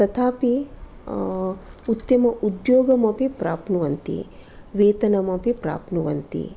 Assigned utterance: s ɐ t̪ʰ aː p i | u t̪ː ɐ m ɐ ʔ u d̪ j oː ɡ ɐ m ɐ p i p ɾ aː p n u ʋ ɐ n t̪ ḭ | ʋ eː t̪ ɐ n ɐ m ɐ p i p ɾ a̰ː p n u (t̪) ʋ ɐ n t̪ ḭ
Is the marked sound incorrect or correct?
incorrect